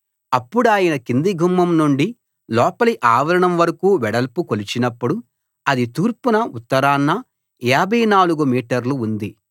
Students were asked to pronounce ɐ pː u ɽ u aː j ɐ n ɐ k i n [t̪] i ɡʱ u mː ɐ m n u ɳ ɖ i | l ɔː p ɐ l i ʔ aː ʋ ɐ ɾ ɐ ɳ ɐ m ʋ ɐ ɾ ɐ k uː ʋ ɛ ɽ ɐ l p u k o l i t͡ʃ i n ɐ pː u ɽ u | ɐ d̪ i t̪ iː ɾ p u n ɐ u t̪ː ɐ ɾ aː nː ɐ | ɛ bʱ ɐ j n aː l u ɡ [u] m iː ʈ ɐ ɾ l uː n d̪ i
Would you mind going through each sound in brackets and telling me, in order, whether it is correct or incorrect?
incorrect: d̪, correct

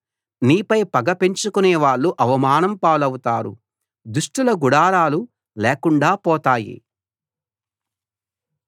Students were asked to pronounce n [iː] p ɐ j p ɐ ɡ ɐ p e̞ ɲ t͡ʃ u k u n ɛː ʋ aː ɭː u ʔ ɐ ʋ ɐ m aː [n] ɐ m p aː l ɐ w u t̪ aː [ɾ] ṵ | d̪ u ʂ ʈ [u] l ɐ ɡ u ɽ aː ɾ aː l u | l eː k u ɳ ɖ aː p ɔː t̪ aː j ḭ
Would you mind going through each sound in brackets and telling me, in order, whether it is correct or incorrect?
correct, correct, correct, correct

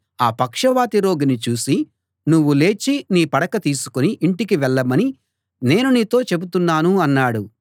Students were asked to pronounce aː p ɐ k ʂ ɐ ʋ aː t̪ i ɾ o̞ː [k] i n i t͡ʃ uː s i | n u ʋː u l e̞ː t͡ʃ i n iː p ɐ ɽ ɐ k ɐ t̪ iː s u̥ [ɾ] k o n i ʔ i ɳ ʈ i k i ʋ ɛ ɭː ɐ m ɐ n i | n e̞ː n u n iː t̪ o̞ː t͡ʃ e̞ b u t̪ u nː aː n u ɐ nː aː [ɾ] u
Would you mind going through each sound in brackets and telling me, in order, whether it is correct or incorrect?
incorrect: ɡ, incorrect: none, incorrect: ɽ

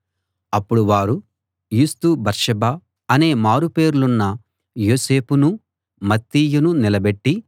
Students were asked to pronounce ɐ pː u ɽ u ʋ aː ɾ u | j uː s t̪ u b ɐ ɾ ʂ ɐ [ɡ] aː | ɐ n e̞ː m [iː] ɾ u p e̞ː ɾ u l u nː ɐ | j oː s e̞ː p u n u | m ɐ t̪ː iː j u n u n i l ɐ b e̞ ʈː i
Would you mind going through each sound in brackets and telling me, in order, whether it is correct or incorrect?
incorrect: b, incorrect: aː

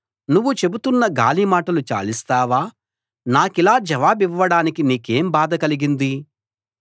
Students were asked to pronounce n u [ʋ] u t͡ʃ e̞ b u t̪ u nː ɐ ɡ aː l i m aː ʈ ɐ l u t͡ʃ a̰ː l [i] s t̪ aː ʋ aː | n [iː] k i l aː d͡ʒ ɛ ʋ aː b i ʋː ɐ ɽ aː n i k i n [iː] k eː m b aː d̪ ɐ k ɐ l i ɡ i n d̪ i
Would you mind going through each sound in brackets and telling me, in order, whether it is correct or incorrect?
incorrect: ʋː, correct, incorrect: aː, correct

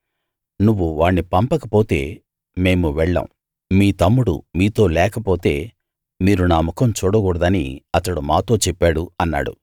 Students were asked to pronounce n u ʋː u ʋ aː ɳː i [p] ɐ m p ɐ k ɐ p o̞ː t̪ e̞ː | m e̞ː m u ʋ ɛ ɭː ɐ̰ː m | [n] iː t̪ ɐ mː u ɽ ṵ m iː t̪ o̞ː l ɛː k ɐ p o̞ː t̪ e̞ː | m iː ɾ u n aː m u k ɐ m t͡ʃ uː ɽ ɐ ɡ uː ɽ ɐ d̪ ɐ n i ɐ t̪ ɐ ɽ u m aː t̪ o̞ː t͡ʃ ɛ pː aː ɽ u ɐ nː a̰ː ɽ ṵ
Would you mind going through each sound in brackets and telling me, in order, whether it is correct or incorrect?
correct, incorrect: m

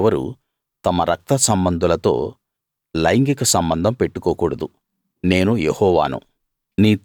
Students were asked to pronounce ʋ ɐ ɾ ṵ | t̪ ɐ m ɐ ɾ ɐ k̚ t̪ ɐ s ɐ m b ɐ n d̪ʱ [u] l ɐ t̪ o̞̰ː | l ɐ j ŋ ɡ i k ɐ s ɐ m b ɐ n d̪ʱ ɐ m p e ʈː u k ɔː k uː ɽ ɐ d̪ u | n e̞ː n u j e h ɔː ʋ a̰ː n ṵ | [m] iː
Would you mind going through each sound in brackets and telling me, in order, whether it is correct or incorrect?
correct, incorrect: n

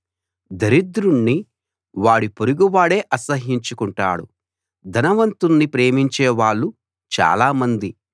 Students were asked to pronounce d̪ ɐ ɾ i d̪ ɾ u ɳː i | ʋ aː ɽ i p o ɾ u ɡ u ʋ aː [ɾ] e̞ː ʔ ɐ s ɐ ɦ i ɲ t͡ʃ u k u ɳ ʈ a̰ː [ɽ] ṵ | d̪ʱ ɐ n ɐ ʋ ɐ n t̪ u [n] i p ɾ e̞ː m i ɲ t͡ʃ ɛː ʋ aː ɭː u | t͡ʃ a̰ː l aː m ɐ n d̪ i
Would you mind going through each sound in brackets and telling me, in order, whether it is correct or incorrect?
incorrect: ɽ, correct, incorrect: nː

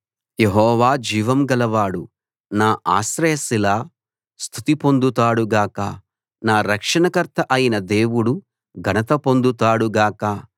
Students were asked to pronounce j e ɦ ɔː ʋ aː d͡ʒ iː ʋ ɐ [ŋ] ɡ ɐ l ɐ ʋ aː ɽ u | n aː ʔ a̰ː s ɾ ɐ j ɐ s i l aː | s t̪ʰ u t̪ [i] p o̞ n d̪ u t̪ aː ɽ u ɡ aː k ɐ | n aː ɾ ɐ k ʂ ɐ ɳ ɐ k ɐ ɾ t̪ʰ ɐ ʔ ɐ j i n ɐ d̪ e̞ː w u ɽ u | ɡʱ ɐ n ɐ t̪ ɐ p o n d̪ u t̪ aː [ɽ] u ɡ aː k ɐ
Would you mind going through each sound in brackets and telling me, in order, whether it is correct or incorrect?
incorrect: m, correct, correct

